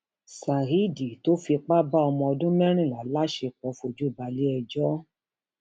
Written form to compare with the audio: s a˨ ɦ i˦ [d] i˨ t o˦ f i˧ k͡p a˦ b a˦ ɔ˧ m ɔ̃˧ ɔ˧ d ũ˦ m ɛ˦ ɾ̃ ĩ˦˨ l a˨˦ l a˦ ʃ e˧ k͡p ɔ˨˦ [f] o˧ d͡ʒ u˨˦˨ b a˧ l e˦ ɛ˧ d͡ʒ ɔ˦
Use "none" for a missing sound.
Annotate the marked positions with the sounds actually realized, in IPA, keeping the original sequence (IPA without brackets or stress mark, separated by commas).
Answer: d, f